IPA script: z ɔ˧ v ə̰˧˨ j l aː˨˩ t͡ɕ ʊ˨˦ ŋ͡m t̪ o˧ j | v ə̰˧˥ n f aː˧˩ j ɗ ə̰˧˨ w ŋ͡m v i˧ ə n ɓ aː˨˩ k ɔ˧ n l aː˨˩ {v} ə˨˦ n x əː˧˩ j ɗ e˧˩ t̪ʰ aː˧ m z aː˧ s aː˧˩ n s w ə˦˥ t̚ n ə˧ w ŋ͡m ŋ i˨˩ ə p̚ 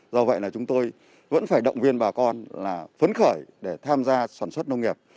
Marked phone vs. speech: incorrect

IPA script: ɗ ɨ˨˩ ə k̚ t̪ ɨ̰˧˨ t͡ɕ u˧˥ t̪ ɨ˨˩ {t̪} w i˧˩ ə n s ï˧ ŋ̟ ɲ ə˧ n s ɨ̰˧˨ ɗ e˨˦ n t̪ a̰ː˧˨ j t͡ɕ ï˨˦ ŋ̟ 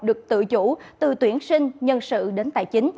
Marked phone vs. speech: correct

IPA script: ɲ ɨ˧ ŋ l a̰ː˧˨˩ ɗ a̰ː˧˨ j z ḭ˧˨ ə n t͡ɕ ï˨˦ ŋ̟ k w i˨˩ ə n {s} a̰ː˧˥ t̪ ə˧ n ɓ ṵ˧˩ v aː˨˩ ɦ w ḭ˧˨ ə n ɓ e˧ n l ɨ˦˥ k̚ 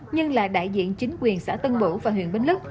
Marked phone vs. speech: correct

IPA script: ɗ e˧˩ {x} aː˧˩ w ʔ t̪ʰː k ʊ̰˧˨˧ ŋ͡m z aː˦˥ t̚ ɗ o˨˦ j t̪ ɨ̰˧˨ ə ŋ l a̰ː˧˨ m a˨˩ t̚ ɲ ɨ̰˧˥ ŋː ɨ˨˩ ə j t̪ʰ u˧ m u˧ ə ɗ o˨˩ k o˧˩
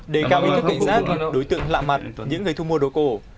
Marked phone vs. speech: incorrect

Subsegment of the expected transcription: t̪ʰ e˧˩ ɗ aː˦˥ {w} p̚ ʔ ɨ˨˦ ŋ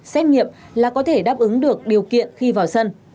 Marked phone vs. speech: incorrect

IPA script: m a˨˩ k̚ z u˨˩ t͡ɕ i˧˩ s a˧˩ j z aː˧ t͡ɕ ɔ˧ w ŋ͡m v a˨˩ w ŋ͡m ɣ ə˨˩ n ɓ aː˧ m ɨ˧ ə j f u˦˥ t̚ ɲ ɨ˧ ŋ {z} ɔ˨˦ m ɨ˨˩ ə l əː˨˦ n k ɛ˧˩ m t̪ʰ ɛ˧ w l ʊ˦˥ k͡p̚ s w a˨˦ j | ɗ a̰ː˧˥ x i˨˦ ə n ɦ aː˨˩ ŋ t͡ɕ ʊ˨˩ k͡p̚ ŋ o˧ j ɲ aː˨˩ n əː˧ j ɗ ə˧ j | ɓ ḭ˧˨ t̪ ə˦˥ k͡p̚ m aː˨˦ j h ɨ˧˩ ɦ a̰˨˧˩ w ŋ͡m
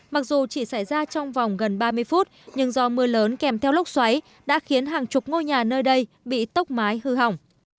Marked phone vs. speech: correct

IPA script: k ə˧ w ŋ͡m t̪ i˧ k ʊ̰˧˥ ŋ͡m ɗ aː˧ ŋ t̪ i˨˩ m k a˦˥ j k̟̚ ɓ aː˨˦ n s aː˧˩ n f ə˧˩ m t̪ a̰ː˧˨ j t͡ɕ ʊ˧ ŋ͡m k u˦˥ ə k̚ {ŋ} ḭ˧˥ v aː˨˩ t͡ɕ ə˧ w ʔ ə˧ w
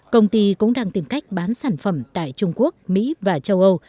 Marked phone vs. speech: incorrect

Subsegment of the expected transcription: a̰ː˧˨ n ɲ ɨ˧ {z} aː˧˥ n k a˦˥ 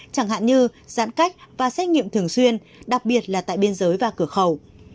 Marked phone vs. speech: correct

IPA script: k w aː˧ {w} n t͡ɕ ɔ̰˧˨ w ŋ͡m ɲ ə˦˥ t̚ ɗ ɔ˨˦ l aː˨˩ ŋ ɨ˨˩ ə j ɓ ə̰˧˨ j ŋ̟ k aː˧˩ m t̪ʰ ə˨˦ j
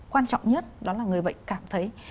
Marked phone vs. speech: incorrect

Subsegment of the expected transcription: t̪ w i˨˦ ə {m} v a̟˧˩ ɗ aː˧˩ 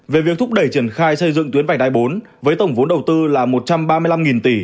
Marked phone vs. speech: incorrect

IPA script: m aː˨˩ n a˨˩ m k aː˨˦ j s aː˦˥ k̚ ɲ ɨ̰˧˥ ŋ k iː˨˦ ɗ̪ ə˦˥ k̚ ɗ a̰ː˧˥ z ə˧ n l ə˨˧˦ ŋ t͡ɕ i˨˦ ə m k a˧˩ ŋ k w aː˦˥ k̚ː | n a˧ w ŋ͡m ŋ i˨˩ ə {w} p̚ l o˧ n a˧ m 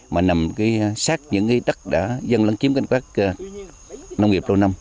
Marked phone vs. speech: incorrect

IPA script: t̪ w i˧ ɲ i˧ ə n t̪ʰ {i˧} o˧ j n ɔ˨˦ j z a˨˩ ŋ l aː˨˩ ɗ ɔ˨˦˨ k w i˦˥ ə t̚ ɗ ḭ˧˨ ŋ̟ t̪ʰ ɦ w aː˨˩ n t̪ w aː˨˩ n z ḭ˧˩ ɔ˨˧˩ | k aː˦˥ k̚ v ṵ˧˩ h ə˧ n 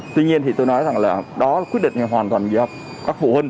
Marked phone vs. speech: incorrect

